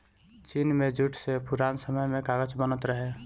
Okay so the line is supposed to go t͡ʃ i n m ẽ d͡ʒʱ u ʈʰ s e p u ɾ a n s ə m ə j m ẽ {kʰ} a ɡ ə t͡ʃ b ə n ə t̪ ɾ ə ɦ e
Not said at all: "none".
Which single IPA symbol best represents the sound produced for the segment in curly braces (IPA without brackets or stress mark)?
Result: k